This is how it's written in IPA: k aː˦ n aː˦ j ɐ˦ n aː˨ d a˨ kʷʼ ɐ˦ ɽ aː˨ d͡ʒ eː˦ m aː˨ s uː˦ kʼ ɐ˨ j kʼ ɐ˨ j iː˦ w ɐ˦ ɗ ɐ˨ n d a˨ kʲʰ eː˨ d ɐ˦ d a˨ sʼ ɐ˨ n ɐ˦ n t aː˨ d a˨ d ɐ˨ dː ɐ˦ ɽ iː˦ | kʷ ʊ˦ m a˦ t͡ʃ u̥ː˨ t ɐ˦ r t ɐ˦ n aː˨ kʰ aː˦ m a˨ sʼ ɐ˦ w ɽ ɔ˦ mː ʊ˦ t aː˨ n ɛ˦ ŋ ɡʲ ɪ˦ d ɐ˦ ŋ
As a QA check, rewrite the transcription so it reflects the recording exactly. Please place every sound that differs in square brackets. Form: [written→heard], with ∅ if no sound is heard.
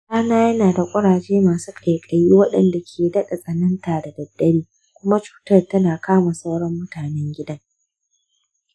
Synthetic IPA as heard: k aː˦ n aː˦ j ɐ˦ n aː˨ d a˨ kʷʼ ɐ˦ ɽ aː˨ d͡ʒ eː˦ m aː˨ s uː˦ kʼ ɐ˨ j kʼ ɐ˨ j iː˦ w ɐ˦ ɗ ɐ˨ n d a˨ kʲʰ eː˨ d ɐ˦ [d→ɗ] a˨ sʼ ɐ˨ n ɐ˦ n t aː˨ d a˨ d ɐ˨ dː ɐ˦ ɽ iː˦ | kʷ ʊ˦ m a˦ t͡ʃ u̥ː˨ t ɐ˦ r t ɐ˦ n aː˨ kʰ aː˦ m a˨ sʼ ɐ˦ w ɽ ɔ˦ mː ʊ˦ t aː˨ n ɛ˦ ŋ ɡʲ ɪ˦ d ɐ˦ ŋ